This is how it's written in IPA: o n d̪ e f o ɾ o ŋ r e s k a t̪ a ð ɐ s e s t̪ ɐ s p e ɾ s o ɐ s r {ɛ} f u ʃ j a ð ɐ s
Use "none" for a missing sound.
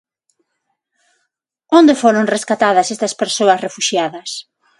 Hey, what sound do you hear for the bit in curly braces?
e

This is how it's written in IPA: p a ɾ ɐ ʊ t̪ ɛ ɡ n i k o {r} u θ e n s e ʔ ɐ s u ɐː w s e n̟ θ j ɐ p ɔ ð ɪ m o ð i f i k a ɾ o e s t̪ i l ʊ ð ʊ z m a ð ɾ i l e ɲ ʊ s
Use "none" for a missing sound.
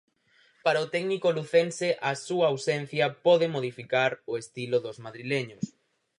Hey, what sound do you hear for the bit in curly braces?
l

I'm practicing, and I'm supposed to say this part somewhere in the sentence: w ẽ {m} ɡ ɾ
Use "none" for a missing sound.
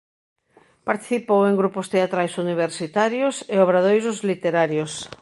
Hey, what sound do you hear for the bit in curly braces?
ŋ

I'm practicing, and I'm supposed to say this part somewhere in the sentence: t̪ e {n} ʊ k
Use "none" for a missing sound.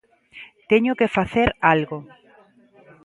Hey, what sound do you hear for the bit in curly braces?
ɲ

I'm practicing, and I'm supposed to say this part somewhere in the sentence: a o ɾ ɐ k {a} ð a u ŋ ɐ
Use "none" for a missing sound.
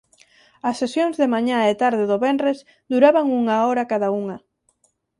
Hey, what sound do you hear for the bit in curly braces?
a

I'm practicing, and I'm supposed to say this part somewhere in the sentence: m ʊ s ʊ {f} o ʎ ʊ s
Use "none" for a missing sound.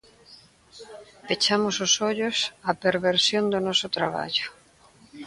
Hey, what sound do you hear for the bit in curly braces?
s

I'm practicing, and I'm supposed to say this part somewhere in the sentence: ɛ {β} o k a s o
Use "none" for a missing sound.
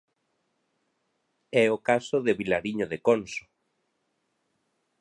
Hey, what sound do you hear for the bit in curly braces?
none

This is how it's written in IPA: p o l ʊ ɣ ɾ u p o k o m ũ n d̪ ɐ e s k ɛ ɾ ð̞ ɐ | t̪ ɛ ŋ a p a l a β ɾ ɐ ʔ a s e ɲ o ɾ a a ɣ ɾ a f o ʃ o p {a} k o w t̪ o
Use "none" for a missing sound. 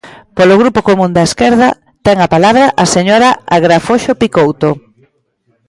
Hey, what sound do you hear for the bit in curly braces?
i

